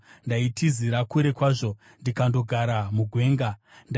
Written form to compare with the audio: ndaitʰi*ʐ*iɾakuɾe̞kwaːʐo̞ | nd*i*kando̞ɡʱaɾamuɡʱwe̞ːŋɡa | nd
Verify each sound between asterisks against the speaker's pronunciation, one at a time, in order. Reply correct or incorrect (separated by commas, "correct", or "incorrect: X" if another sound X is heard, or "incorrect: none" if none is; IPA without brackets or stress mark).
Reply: incorrect: z, correct